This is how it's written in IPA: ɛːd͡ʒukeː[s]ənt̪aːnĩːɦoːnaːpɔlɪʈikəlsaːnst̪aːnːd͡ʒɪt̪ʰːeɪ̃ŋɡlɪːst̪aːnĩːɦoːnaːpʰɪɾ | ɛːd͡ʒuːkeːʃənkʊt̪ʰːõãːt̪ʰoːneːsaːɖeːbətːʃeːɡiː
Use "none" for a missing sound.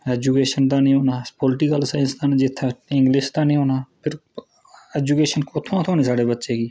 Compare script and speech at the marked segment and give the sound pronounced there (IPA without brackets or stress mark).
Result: ʃ